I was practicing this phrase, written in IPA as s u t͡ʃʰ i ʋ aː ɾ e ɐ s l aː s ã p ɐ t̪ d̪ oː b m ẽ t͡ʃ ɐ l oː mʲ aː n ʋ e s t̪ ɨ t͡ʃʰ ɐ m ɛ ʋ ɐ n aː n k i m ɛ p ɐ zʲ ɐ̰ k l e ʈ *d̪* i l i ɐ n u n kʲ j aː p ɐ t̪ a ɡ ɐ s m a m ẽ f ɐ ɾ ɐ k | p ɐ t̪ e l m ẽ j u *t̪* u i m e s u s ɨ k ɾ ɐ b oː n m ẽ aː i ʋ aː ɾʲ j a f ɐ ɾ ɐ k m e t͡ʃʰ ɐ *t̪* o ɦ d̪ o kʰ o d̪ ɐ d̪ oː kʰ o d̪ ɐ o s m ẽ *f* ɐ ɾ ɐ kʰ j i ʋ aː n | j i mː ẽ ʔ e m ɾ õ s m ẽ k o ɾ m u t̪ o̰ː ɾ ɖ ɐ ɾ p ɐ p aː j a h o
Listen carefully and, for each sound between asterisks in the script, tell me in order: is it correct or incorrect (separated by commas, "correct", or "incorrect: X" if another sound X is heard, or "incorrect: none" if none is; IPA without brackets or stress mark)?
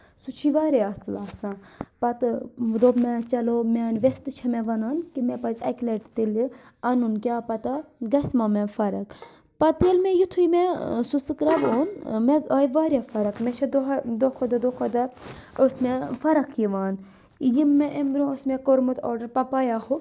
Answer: incorrect: t̪, incorrect: t̪ʰ, incorrect: d̪, correct